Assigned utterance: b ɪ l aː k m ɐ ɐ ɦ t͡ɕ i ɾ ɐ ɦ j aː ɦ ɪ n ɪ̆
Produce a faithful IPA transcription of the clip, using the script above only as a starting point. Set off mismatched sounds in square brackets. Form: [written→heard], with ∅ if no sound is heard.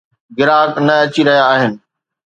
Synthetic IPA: [b→ɡ] ɪ [l→ɾ] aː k [m→n] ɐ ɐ [ɦ→∅] t͡ɕ i ɾ ɐ ɦ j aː ɦ ɪ n ɪ̆